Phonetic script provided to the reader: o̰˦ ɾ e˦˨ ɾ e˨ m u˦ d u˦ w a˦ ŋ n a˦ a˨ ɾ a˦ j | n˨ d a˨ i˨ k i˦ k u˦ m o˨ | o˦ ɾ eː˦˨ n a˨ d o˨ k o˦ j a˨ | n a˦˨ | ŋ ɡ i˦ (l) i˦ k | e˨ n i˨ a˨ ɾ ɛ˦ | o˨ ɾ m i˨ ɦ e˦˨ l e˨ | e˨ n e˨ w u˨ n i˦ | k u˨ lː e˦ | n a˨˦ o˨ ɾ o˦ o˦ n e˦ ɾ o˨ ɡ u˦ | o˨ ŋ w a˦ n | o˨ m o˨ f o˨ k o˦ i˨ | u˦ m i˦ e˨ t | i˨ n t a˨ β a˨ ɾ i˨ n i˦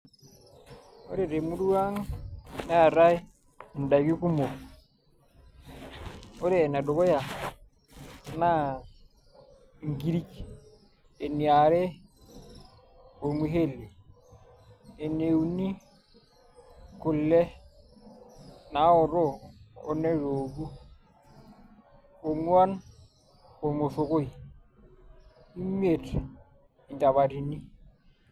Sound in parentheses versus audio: incorrect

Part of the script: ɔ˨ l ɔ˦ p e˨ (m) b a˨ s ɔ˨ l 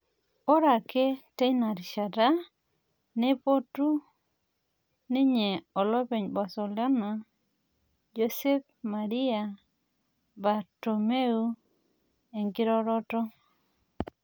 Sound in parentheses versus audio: incorrect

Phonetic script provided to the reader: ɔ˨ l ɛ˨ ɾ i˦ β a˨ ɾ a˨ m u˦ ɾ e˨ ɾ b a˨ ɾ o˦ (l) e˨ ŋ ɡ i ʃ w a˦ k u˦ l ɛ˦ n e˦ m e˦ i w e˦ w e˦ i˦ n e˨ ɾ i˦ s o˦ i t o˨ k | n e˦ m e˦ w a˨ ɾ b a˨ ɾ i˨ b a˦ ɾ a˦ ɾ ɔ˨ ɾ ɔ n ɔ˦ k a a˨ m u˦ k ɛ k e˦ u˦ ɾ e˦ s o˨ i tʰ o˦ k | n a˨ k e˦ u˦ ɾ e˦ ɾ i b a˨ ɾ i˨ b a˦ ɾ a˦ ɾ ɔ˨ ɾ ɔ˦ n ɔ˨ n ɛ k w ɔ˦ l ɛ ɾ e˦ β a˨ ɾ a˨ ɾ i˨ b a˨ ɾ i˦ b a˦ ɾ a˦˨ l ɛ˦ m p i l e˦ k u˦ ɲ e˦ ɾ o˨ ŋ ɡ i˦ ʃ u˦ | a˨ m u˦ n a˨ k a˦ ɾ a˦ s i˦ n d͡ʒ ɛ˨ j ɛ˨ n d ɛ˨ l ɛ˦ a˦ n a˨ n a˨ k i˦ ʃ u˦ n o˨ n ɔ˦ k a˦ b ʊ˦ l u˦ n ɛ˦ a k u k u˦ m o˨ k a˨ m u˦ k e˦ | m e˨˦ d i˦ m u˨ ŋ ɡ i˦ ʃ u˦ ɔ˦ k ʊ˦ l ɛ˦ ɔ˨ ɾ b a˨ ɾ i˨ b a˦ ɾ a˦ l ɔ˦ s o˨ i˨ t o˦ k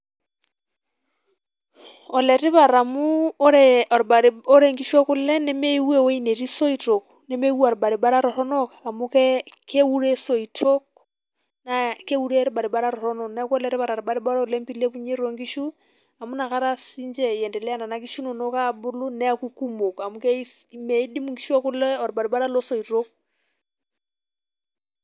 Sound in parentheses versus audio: incorrect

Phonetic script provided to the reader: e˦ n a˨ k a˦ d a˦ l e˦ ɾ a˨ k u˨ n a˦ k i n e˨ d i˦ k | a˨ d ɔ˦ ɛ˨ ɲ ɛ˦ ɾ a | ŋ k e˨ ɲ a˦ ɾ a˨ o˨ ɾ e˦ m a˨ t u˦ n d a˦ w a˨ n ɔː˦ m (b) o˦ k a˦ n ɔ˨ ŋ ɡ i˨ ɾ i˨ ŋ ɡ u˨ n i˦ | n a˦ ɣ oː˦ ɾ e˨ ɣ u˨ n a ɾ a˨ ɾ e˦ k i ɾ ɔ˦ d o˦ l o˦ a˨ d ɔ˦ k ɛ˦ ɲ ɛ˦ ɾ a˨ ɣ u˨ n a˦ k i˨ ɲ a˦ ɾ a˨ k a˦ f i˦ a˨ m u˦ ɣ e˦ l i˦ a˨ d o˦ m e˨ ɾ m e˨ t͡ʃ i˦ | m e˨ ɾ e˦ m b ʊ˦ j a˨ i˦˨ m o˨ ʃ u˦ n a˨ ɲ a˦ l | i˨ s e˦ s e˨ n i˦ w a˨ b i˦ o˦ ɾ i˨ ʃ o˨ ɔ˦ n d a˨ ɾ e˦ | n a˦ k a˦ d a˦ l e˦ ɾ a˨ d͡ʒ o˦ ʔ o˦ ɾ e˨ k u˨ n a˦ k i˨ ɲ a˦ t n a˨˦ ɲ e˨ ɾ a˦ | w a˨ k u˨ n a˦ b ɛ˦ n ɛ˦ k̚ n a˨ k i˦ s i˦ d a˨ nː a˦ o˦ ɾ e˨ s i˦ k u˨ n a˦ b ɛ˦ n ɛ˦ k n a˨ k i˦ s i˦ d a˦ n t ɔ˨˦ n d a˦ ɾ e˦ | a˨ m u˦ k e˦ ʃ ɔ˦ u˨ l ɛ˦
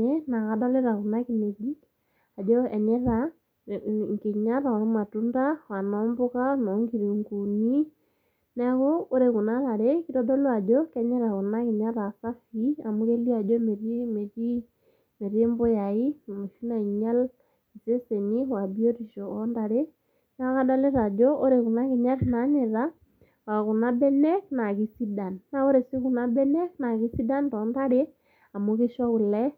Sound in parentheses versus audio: correct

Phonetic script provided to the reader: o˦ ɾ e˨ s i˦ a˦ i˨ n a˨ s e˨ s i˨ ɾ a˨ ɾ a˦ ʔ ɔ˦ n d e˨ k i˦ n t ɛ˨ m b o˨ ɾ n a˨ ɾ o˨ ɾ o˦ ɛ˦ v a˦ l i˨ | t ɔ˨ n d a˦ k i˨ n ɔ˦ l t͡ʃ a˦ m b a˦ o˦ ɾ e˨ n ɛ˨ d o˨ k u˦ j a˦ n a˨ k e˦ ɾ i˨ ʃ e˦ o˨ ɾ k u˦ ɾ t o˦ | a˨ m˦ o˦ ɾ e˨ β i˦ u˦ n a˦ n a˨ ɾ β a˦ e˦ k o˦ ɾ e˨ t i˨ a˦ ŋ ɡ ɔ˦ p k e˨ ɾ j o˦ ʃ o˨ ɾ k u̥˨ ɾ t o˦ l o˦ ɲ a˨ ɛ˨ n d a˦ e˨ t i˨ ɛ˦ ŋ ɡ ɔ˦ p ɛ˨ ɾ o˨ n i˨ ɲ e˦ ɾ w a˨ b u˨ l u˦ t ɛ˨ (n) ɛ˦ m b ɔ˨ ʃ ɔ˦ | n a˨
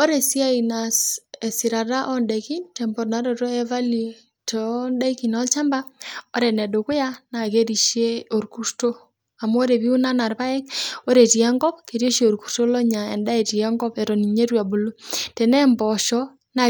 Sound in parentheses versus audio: correct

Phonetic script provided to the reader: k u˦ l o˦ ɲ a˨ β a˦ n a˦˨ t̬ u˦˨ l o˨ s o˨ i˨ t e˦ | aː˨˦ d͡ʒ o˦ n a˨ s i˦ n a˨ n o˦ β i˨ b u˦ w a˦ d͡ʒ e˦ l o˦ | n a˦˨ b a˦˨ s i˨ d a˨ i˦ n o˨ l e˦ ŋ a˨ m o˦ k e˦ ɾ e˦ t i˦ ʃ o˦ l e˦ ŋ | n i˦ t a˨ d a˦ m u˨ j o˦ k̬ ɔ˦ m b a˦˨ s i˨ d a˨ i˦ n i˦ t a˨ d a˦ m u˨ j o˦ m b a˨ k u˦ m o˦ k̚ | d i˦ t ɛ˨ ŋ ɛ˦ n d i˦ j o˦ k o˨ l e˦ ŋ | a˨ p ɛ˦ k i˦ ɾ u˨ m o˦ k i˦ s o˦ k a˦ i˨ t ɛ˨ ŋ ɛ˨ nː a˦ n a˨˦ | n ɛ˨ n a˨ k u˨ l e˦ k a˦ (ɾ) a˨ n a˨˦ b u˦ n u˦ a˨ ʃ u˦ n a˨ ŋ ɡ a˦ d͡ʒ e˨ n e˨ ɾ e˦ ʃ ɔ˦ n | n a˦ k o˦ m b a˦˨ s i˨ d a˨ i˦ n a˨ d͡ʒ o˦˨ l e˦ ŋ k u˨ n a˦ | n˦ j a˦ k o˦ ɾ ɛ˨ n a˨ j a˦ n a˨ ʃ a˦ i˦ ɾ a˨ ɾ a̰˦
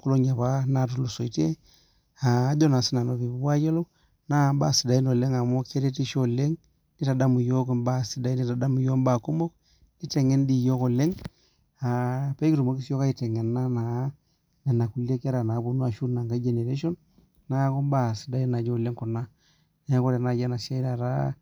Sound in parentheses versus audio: correct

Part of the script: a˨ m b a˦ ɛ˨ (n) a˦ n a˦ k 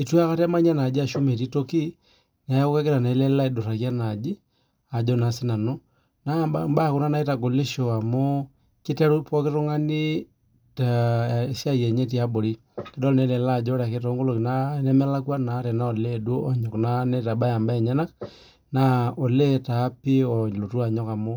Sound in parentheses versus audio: incorrect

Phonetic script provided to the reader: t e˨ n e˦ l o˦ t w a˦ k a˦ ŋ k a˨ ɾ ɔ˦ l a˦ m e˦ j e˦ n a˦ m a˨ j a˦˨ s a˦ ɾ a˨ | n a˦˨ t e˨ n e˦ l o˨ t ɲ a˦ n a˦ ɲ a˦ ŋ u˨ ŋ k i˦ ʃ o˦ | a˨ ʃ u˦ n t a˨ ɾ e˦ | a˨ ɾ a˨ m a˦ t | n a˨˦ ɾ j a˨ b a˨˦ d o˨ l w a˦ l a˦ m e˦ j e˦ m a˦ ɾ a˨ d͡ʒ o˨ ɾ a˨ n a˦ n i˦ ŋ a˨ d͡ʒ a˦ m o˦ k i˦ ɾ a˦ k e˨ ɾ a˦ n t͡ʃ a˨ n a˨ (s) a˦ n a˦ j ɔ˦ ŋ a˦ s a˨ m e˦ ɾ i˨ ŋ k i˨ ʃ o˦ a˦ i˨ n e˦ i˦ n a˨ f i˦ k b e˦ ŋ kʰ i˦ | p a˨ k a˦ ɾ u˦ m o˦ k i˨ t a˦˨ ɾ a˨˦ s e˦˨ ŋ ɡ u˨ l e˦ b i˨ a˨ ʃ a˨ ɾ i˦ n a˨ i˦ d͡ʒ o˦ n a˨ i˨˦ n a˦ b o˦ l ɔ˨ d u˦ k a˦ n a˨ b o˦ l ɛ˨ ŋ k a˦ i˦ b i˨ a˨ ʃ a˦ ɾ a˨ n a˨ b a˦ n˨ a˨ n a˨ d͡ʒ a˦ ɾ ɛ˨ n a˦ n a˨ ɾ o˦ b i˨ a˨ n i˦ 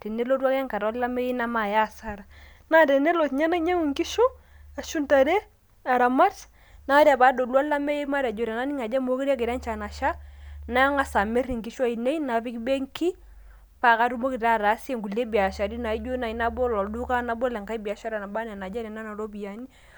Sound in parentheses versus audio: incorrect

